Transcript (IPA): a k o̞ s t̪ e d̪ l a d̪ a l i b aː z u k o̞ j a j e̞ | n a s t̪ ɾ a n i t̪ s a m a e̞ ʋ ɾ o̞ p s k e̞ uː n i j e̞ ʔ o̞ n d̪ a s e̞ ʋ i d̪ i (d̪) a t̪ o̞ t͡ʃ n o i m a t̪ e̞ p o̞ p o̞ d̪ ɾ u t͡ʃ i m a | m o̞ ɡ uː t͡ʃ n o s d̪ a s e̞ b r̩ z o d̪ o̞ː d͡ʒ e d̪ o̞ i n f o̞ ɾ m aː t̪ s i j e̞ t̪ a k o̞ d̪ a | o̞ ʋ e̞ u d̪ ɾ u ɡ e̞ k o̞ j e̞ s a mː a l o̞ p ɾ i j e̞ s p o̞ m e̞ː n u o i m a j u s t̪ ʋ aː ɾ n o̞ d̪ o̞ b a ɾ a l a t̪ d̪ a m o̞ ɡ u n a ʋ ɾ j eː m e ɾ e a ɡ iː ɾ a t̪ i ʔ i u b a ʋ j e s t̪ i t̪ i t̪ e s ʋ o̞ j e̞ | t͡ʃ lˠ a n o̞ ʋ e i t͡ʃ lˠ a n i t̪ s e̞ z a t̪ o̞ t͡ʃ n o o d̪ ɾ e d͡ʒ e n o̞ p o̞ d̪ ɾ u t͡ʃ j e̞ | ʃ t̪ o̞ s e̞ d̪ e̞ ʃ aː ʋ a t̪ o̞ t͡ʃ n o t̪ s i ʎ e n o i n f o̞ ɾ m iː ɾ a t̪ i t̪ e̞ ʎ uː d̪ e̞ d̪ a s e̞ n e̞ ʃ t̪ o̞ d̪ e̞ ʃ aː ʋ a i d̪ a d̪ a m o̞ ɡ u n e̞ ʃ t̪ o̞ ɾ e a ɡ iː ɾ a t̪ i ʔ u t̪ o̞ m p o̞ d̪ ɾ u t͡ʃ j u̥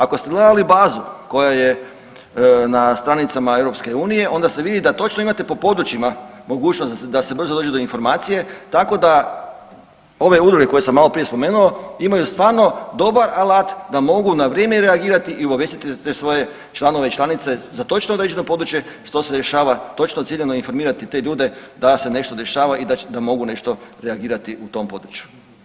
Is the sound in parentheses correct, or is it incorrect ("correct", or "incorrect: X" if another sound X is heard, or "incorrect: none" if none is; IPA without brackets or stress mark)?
correct